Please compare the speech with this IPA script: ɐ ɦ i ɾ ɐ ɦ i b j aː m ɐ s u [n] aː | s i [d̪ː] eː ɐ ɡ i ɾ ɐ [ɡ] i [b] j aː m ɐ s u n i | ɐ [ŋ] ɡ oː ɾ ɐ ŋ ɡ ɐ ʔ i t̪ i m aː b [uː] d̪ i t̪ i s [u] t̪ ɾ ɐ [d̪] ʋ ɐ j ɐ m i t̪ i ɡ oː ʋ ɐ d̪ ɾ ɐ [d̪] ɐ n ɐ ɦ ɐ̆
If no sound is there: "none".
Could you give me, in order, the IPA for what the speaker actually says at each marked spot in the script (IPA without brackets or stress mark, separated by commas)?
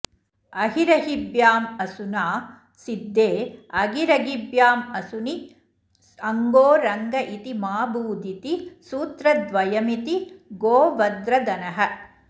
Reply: n, d̪ː, ɡ, b, ŋ, uː, uː, d̪, d̪